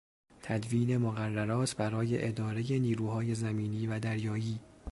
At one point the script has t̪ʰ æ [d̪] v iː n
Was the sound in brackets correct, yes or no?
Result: yes